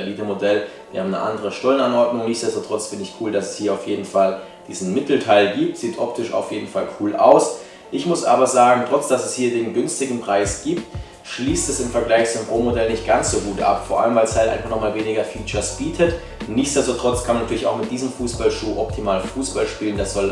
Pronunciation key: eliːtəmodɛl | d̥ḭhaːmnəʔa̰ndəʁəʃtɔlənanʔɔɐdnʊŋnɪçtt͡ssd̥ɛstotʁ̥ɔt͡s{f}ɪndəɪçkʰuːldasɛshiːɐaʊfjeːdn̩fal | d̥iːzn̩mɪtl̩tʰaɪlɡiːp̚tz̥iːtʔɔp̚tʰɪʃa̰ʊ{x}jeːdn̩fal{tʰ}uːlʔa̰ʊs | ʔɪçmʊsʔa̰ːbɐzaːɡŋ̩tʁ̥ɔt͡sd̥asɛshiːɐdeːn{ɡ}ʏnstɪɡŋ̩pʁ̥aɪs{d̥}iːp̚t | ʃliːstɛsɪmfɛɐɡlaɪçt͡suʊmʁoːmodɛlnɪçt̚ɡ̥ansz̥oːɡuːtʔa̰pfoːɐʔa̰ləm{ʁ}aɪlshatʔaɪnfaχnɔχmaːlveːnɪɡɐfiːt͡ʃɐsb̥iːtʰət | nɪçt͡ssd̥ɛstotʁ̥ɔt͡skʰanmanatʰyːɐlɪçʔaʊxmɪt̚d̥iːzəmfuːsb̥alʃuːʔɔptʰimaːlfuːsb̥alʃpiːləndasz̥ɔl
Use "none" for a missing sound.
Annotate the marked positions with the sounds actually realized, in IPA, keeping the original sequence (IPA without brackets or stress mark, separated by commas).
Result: f, f, kʰ, ɡ, ɡ̥, v